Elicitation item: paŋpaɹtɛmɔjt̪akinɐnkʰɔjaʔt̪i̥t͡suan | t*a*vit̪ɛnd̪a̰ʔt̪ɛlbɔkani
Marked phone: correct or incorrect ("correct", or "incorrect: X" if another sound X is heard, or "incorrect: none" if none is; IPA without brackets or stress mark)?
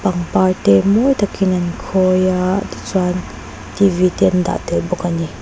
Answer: incorrect: i